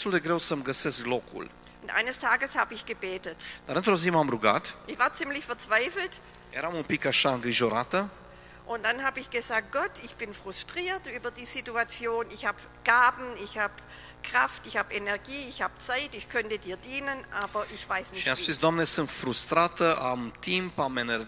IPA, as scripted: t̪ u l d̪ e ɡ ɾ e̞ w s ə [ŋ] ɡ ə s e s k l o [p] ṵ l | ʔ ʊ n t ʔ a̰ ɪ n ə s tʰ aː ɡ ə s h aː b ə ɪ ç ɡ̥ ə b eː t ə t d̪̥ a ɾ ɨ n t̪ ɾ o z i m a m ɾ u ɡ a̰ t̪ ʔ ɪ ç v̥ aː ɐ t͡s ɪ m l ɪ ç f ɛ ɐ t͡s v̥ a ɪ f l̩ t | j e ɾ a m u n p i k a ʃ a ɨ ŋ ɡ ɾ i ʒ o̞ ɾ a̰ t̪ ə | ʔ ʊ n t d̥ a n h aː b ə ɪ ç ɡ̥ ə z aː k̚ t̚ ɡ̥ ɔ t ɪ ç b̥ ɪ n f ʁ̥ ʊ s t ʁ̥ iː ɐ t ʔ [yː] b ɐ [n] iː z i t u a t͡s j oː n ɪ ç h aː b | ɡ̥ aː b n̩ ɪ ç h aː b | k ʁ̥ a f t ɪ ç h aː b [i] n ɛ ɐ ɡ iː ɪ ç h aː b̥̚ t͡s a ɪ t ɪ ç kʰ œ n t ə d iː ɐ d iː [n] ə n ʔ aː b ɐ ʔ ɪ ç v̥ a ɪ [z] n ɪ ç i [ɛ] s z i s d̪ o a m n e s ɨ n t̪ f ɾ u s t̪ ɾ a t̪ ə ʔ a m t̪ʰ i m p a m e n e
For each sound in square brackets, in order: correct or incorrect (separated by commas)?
incorrect, incorrect, correct, incorrect, incorrect, correct, incorrect, incorrect